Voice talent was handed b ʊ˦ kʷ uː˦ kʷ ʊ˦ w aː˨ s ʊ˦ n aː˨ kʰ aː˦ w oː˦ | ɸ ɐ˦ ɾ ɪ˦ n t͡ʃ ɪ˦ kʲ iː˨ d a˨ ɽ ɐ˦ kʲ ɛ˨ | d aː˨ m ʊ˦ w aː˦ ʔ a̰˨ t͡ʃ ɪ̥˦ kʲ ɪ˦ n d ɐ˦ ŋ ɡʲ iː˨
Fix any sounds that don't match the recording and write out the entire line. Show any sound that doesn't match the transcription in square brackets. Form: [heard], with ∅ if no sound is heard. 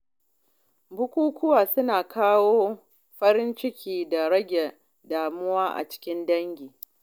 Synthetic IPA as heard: b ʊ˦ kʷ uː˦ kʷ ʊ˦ w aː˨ s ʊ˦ n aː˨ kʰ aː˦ w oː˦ | ɸ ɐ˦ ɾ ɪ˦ n t͡ʃ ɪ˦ kʲ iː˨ d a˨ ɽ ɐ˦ [ɡʲ] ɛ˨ | d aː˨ m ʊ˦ w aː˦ ʔ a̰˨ t͡ʃ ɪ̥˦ kʲ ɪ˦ n d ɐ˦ ŋ ɡʲ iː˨